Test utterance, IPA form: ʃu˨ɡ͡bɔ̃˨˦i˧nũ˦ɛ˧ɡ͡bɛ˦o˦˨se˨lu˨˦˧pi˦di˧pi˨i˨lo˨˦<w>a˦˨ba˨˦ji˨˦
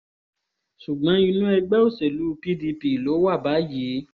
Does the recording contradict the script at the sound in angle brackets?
no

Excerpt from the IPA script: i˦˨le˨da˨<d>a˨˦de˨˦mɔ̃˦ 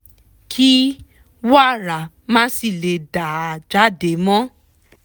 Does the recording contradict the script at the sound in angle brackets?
yes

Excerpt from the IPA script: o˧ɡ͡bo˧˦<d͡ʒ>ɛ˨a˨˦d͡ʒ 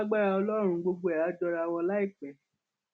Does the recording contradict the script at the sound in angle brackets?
yes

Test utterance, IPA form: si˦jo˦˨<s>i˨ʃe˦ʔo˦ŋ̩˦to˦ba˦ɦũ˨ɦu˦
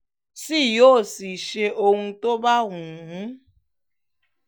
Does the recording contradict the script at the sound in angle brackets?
no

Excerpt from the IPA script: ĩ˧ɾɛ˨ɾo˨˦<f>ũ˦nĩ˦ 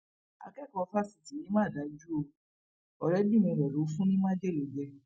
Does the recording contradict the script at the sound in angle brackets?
no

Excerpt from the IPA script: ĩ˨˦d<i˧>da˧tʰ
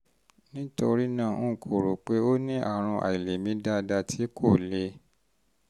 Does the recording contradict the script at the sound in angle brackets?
yes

